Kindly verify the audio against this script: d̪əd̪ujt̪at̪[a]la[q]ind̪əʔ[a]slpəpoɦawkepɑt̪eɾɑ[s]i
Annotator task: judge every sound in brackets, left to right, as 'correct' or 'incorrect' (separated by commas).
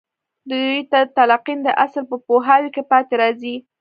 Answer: correct, correct, correct, incorrect